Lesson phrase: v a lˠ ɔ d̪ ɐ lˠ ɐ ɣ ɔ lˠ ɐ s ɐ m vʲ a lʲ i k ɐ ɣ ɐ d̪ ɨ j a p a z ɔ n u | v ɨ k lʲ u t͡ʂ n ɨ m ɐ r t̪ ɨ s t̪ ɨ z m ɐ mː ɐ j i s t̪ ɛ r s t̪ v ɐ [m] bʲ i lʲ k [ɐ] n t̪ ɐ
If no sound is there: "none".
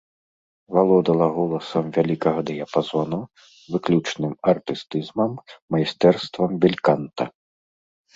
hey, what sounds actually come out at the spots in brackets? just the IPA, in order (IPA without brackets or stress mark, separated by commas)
m, a